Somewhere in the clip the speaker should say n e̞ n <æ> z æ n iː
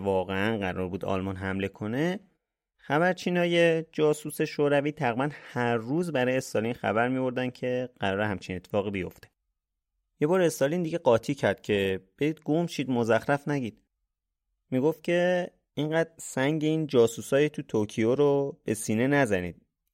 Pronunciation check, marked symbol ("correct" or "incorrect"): correct